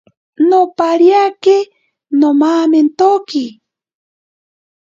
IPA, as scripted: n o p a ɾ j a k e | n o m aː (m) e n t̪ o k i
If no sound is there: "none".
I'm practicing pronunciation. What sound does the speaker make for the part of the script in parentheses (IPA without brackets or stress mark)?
m